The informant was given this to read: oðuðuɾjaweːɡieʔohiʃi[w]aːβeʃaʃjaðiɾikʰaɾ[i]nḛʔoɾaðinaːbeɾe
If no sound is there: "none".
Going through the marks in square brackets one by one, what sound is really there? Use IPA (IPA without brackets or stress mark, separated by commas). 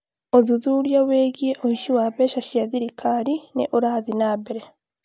w, i